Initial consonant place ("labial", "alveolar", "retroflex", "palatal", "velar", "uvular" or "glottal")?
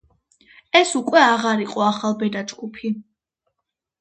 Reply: alveolar